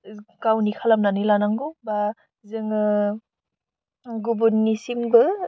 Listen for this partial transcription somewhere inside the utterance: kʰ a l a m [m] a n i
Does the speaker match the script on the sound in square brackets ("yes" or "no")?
no